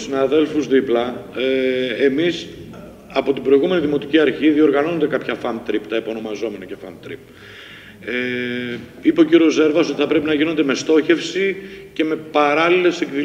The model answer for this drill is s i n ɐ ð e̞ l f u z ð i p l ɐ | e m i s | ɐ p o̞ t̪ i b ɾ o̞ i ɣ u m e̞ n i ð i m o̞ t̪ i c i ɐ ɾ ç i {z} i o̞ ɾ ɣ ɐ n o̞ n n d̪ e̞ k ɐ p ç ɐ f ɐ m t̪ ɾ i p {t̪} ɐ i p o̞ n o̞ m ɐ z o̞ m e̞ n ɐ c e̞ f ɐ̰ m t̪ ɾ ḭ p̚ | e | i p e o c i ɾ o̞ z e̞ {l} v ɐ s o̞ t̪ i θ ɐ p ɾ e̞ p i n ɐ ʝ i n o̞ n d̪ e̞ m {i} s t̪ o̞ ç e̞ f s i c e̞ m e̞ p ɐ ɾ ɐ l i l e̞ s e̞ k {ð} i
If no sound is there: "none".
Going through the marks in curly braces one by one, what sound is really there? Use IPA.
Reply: ð, t̪, ɾ, e, ð

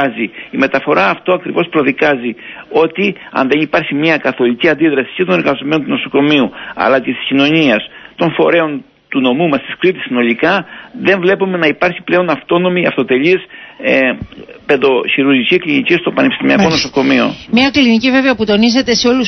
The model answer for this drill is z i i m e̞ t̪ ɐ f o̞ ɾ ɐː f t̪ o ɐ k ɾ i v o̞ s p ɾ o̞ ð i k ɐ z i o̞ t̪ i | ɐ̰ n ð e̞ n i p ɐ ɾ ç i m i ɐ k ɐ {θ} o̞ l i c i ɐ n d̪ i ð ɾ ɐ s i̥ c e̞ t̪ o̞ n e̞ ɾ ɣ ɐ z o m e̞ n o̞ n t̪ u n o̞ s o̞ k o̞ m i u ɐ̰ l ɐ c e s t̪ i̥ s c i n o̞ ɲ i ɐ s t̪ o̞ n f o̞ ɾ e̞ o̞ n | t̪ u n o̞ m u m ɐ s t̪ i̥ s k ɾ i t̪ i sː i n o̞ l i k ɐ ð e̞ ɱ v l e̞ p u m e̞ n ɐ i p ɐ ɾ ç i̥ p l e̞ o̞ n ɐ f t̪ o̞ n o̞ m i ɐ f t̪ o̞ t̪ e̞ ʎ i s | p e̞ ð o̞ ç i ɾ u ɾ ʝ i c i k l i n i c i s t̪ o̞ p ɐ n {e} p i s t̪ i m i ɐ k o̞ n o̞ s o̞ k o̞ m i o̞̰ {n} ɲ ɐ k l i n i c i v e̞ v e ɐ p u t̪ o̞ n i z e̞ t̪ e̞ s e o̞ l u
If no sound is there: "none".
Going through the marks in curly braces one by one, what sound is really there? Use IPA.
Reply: θ, e, m

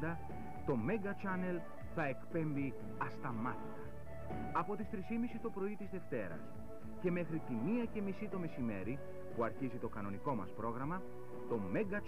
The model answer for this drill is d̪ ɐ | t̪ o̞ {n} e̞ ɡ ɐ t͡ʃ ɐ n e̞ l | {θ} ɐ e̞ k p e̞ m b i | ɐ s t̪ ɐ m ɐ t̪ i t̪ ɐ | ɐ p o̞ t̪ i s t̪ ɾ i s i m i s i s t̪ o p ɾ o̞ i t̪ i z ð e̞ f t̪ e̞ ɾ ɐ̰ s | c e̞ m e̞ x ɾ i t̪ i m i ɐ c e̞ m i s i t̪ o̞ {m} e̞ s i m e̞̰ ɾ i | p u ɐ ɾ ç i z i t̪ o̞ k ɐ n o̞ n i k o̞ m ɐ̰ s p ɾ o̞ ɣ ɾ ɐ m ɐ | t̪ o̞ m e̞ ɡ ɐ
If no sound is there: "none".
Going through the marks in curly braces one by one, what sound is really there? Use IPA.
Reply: m, θ, m

